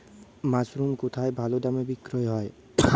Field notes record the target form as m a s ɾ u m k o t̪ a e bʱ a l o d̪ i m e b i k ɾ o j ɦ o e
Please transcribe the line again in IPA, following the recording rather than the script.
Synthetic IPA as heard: m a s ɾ u m k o t̪ʰ a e bʱ a l o d̪ a m e b i k ɾ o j ɦ ɔ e